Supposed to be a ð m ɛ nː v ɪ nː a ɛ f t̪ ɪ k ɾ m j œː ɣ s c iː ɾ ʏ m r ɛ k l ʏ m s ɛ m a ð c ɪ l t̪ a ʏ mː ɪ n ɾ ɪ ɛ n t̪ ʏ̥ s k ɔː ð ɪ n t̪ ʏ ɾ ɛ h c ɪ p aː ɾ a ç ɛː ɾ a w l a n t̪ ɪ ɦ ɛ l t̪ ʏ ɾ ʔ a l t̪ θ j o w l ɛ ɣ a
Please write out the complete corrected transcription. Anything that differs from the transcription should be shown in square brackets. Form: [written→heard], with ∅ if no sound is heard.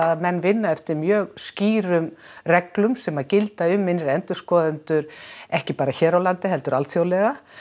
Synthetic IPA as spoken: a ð m ɛ nː v ɪ nː a ɛ f t̪ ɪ [k→∅] ɾ m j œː ɣ s c iː ɾ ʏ m r ɛ k l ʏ m s ɛ m a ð c ɪ l t̪ a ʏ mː ɪ n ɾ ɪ ɛ n t̪ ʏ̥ s k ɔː ð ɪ n t̪ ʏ ɾ ɛ h c ɪ p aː ɾ a ç ɛː ɾ a w l a n t̪ ɪ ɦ ɛ l t̪ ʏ ɾ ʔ a l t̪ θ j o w l ɛ ɣ a

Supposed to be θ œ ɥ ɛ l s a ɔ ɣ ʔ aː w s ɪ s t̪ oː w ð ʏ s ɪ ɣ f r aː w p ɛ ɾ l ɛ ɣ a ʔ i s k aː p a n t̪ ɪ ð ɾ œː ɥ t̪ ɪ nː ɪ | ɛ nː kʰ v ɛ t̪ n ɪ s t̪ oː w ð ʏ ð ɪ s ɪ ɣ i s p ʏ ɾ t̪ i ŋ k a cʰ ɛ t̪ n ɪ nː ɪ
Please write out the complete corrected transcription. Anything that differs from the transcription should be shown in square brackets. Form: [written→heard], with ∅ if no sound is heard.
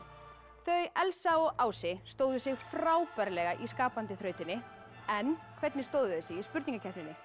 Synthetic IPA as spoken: θ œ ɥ ɛ l s a ɔ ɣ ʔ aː w s ɪ s t̪ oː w ð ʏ s ɪ ɣ f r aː w p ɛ ɾ l ɛ ɣ a ʔ i s k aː p a n t̪ ɪ [ð→θ] ɾ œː ɥ t̪ ɪ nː ɪ | ɛ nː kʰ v ɛ t̪ n ɪ s t̪ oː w ð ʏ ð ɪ s ɪ ɣ i s p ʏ ɾ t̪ i ŋ k a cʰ ɛ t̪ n ɪ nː ɪ

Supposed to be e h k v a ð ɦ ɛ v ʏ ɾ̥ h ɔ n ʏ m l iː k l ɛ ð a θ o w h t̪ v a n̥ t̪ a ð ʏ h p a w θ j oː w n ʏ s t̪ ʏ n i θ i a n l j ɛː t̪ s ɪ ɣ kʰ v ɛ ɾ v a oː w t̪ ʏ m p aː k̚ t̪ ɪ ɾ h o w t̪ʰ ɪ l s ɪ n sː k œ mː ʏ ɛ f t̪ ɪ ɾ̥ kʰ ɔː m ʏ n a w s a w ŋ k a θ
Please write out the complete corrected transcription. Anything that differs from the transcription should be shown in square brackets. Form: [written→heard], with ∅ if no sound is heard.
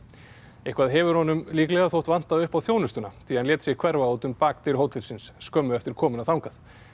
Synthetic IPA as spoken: e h k v a ð ɦ ɛ v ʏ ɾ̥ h ɔ n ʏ m l iː k l ɛ [ð→ɣ] a θ o w h t̪ v a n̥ t̪ a ð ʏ h p a w θ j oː w n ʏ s t̪ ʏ n [i→a] θ i a n l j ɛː t̪ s ɪ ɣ kʰ v ɛ ɾ v a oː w t̪ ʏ m p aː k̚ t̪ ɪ ɾ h o w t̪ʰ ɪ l s ɪ n sː k œ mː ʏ ɛ f t̪ ɪ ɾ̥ kʰ ɔː m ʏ n a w [s→θ] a w ŋ k a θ

